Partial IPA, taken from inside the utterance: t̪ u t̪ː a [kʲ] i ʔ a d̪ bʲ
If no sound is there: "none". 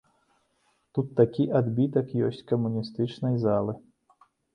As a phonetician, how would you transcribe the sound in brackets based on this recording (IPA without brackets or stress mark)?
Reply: kʲ